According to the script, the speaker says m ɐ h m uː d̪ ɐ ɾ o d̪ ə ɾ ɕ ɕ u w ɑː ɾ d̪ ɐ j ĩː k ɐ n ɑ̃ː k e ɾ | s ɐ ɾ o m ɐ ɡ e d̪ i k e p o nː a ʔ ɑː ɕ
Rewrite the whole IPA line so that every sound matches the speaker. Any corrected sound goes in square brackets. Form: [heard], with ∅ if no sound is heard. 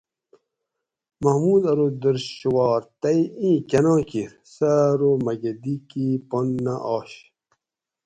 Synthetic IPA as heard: m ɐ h m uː d̪ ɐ ɾ o d̪ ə ɾ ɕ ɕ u w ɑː ɾ [t̪] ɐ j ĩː k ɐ n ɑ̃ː k [i] ɾ | s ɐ ɾ o m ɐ ɡ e d̪ i k [i] p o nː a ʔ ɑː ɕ